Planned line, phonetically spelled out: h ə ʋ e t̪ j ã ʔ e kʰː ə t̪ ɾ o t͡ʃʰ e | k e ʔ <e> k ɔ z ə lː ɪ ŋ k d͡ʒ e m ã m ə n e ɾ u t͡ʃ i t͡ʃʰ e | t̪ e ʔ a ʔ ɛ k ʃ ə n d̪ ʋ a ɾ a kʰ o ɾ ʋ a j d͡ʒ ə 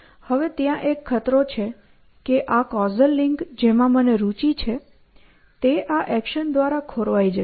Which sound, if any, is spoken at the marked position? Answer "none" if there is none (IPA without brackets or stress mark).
a